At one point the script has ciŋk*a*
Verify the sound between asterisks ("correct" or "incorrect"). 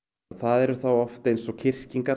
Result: correct